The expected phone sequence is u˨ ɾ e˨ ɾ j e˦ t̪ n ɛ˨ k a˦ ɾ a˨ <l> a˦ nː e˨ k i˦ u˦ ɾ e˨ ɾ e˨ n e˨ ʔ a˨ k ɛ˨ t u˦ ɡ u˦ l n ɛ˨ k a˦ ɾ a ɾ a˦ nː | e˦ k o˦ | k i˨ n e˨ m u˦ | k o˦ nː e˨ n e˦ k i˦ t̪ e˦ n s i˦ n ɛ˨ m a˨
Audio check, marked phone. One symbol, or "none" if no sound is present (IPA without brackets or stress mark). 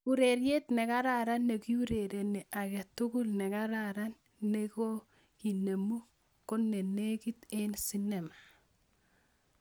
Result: ɾ